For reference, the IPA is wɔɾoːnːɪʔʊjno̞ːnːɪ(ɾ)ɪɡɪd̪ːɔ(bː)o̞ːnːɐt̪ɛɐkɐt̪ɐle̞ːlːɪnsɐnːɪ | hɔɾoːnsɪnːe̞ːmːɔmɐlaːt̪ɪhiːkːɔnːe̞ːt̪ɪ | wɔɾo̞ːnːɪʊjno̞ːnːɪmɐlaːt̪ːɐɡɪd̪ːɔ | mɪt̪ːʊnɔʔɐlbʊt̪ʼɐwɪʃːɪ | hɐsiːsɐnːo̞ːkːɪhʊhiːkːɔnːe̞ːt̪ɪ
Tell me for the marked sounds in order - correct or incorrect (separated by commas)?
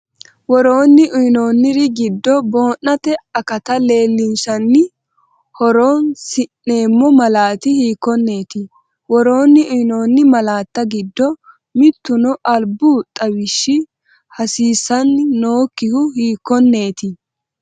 correct, incorrect